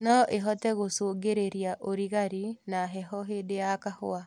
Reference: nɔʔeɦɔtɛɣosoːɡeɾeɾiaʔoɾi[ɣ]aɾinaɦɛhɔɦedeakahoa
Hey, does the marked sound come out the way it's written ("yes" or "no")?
yes